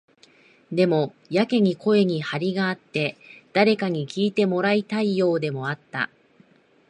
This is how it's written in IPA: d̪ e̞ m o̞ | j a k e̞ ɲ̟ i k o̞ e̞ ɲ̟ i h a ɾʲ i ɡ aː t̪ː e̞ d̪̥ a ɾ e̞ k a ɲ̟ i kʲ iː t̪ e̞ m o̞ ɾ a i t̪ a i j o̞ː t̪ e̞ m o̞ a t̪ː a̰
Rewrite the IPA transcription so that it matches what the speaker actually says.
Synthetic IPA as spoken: d̪ e̞ m o̞ | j a k e̞ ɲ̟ i k o̞ e̞ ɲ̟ i h a ɾʲ i ɡ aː t̪ː e̞ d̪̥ a ɾ e̞ k a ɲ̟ i kʲ iː t̪ e̞ m o̞ ɾ a i t̪ a i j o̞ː d̪ e̞ m o̞ a t̪ː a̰